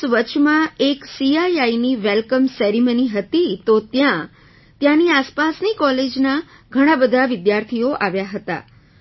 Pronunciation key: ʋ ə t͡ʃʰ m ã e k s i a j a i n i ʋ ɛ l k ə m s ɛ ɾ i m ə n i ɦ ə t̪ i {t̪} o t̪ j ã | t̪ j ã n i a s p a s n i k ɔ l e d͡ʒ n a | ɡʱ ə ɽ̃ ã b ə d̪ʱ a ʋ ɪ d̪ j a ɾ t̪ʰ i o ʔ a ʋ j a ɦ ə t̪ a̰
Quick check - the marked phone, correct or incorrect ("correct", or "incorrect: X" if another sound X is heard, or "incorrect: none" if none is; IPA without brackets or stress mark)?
correct